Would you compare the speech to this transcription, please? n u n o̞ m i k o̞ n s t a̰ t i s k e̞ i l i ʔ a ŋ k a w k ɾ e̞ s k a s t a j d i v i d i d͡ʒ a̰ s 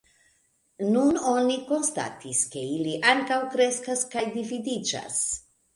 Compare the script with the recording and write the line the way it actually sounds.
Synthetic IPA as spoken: n u n o̞ n i k o̞ n s t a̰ t i s k e̞ i l i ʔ a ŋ k a w k ɾ e̞ s k a s k a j d i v i d i d͡ʒ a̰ s